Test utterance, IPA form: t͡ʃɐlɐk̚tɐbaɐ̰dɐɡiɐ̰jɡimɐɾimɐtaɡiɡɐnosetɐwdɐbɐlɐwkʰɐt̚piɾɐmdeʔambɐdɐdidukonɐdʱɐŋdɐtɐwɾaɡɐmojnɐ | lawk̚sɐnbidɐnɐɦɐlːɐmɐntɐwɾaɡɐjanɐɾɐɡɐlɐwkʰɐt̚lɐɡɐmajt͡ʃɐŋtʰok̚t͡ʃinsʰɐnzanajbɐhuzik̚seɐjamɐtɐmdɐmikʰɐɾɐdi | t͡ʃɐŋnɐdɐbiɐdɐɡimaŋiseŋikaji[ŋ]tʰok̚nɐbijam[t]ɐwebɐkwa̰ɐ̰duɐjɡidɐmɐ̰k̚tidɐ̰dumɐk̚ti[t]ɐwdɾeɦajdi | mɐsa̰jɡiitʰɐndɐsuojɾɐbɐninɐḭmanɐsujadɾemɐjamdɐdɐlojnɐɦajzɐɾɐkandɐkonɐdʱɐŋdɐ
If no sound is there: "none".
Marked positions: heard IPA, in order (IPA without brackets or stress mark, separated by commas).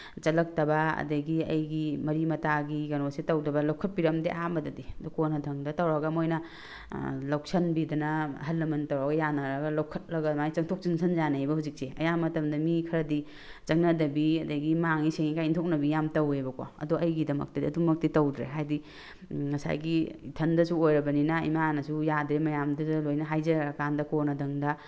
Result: n, t, t